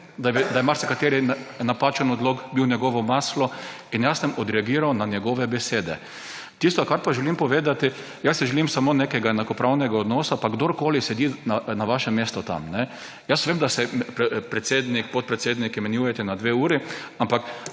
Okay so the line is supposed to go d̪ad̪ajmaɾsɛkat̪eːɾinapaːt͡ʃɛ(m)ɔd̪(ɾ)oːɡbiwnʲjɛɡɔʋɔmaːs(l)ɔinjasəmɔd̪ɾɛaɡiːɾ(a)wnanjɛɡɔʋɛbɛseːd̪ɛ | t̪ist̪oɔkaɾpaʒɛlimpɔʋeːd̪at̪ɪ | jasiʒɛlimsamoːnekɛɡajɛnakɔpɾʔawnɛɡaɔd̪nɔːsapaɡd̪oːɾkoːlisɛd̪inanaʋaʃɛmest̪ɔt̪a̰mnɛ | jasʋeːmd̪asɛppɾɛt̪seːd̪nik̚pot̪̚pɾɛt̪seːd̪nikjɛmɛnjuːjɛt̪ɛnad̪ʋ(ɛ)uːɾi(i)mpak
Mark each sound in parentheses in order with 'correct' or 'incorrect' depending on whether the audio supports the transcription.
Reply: incorrect, incorrect, correct, correct, incorrect, incorrect

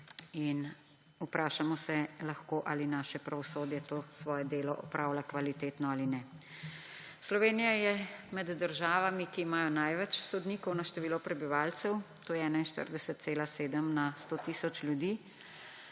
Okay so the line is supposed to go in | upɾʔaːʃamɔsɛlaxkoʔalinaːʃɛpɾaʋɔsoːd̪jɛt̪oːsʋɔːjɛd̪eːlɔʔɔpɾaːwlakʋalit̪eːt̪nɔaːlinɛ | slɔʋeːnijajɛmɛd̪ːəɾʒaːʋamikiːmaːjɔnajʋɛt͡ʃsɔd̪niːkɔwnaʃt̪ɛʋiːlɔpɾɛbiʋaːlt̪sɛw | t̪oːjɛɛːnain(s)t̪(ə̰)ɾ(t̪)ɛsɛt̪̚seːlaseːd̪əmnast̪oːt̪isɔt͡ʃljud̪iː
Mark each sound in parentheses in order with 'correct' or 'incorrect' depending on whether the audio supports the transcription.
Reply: incorrect, correct, incorrect

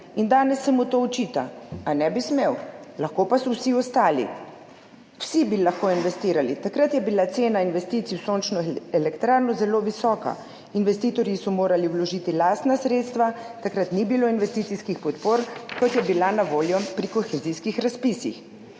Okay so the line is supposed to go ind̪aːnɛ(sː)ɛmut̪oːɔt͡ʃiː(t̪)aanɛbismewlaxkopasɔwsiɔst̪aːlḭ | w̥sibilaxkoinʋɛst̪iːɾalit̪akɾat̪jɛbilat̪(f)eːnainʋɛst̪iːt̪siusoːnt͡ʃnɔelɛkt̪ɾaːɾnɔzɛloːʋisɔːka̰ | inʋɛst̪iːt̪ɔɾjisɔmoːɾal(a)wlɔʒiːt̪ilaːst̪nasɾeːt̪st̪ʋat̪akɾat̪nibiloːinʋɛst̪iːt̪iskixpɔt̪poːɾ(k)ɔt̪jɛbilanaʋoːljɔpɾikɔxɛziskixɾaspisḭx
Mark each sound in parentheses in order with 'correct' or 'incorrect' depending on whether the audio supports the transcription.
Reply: correct, correct, incorrect, incorrect, correct

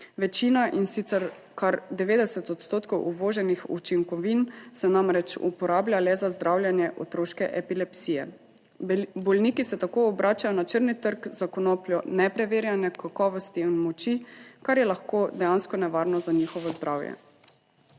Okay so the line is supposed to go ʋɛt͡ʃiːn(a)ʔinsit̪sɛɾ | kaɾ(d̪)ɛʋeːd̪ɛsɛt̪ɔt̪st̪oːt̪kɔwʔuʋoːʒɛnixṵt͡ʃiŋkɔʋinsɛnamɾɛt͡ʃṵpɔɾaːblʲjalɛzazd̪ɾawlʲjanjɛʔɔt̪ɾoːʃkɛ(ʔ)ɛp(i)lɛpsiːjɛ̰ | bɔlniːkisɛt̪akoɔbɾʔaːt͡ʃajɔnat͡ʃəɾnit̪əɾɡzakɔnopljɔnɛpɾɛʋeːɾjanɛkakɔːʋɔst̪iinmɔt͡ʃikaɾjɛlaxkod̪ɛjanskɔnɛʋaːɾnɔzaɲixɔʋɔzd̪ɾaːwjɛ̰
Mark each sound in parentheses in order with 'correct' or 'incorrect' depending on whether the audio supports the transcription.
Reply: correct, correct, correct, correct

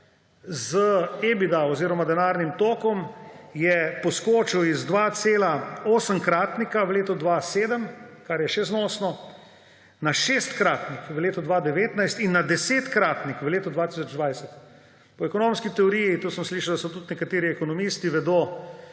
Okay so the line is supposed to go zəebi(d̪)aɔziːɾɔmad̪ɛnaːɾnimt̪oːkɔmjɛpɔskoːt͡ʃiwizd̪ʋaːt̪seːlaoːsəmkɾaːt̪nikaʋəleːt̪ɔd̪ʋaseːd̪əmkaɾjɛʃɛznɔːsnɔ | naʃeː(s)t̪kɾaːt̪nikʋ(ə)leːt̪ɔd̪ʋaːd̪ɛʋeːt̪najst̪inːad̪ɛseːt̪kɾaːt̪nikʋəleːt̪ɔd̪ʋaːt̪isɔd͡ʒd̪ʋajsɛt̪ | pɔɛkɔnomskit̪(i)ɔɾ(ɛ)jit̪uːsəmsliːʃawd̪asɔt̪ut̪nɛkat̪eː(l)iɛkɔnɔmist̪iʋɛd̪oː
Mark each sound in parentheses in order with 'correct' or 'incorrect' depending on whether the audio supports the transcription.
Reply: correct, correct, correct, incorrect, incorrect, incorrect

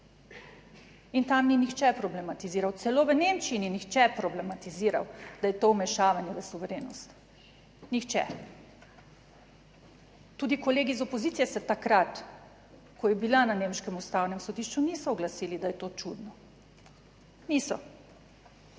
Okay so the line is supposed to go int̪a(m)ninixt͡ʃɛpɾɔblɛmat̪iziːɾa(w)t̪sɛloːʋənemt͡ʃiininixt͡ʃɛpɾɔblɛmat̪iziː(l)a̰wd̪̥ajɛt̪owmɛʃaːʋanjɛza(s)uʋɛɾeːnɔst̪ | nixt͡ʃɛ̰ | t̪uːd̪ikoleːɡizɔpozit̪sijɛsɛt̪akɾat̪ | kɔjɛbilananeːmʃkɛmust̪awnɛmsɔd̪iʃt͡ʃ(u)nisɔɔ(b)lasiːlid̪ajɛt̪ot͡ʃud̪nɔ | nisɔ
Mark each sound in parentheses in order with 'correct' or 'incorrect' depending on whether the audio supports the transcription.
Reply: correct, correct, incorrect, correct, correct, incorrect

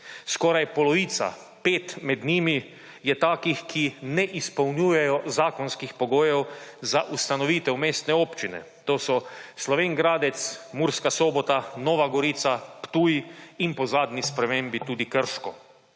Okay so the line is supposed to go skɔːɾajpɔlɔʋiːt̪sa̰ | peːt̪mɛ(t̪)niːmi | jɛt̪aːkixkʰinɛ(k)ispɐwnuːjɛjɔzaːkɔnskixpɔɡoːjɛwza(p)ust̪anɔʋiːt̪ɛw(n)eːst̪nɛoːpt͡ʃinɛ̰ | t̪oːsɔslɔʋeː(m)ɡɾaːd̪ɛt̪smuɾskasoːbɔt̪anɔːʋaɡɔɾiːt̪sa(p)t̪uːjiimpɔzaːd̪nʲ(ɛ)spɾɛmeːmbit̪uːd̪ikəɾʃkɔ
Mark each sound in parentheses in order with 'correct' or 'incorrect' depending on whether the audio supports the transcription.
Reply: incorrect, incorrect, incorrect, incorrect, incorrect, correct, incorrect

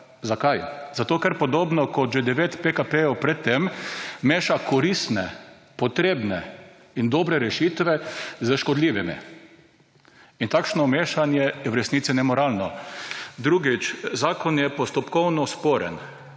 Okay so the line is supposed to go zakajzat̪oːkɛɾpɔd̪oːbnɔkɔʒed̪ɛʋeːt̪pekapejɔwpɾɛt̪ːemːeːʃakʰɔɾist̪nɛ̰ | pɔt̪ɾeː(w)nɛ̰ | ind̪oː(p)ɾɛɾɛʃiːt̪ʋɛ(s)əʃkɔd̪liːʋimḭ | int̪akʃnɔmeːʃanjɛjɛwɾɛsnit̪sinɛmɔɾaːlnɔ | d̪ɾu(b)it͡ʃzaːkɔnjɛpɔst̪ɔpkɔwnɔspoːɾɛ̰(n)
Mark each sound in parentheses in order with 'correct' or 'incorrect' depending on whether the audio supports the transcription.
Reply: incorrect, incorrect, incorrect, incorrect, correct

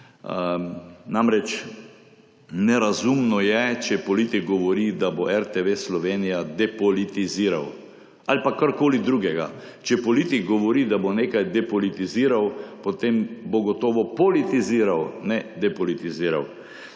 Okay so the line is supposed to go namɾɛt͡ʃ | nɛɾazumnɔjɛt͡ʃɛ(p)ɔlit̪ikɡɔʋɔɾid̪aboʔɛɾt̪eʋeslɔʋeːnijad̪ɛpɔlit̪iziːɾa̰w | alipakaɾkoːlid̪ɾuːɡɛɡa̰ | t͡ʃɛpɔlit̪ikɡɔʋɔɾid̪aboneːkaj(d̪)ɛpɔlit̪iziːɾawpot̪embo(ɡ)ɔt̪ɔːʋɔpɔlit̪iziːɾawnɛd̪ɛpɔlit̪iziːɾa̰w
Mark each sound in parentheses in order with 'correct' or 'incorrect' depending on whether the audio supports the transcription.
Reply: correct, correct, correct

